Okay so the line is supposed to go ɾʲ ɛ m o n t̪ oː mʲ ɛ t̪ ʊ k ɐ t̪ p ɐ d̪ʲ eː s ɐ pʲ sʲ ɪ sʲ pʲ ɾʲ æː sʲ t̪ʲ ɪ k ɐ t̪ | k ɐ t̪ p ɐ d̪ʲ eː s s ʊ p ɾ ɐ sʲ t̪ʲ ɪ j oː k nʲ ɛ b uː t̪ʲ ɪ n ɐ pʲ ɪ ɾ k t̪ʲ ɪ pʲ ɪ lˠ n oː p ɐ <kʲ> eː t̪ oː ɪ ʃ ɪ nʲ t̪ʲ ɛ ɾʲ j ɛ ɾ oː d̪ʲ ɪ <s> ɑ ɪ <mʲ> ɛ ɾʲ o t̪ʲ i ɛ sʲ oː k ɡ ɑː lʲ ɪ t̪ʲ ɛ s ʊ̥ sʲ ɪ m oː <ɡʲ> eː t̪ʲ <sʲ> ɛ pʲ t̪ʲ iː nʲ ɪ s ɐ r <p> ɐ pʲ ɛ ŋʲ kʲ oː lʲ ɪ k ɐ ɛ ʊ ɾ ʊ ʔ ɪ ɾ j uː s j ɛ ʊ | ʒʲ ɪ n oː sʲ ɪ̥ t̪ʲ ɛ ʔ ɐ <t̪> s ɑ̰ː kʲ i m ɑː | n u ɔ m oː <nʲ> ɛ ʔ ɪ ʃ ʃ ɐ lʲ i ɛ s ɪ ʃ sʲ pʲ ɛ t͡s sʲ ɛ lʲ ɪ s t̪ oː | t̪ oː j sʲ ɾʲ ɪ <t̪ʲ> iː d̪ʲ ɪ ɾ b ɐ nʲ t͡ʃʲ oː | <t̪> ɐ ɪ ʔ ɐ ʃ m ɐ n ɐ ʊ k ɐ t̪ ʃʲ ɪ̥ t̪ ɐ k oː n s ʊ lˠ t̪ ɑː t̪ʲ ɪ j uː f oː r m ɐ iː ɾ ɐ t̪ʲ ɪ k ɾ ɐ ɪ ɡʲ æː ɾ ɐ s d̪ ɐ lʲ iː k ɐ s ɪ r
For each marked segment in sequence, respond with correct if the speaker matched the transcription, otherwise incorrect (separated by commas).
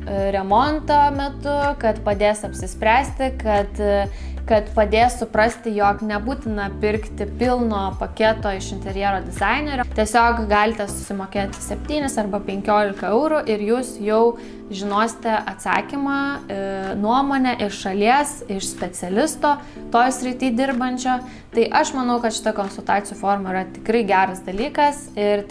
correct, incorrect, incorrect, incorrect, correct, incorrect, correct, correct, correct, correct